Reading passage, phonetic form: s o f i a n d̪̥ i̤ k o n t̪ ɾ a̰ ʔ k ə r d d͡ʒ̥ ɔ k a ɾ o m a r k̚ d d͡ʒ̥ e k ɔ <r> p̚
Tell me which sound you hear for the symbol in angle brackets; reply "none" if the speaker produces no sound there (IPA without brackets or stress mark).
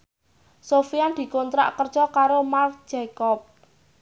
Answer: none